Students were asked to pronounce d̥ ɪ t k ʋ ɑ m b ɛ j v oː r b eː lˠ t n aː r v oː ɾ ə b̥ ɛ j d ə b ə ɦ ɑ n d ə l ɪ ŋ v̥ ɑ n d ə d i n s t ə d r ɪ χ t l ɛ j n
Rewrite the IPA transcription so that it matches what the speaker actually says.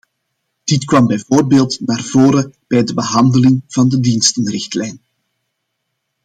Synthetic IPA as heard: d̥ ɪ t k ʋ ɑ m b ɛ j v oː r b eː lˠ t n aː r v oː ɾ ə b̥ ɛ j d ə b ə ɦ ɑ n d ə l ɪ ŋ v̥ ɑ n d ə d i n s t ə n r ɪ x t l ɛ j n